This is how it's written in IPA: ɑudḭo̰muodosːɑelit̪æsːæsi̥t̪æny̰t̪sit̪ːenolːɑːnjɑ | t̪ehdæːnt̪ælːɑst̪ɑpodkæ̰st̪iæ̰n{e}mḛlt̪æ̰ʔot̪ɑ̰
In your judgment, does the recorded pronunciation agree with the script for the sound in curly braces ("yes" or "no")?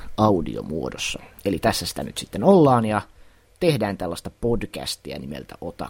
no